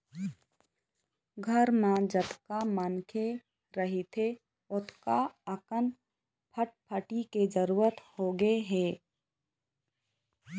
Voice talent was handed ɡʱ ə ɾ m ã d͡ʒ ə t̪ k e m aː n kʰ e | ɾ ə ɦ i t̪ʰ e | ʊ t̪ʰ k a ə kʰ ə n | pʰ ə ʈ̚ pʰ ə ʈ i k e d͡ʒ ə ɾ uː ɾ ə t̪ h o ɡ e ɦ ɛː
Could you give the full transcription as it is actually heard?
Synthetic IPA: ɡʱ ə ɾ m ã d͡ʒ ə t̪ k a m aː n kʰ e | ɾ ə ɦ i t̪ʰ e | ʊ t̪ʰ k a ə k ə n | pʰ ə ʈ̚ pʰ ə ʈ i k e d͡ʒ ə ɾ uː ɾ ə t̪ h o ɡ e ɦ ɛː